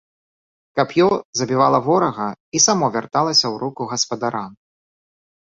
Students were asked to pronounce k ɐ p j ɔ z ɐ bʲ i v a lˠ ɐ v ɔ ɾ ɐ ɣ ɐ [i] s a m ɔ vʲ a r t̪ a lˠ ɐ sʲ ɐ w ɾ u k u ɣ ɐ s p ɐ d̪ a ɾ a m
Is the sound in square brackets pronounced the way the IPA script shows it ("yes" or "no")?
yes